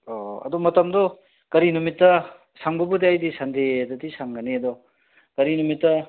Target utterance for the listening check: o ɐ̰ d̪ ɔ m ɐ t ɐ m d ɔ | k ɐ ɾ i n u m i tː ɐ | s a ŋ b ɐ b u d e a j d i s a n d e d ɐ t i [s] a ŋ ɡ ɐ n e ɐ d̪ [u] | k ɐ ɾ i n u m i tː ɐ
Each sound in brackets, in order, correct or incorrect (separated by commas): correct, incorrect